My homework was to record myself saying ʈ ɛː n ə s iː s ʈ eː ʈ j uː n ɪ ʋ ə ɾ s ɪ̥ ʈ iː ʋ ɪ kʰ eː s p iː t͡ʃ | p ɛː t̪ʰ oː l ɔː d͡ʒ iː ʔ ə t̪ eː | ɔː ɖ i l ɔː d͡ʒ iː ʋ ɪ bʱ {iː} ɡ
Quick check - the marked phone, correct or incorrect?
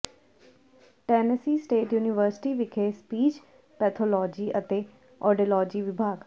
incorrect